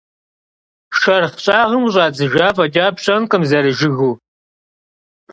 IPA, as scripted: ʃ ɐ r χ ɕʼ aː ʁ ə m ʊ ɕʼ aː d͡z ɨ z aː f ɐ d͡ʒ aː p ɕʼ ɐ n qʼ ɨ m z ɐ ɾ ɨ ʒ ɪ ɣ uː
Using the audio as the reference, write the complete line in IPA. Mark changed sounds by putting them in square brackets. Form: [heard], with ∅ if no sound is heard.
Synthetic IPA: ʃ ɐ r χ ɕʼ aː ʁ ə m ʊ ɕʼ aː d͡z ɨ [ʒ] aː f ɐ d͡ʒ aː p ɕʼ ɐ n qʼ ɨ m z ɐ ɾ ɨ ʒ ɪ ɣ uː